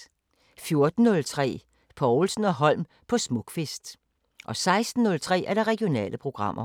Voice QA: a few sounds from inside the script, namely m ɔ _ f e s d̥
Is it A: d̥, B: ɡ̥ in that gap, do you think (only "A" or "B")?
B